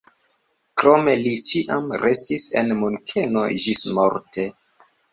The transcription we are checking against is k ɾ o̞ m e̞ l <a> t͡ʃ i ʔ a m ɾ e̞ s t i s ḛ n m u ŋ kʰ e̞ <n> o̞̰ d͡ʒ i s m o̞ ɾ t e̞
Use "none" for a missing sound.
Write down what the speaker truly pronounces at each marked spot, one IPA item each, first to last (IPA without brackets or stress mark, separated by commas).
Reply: i, n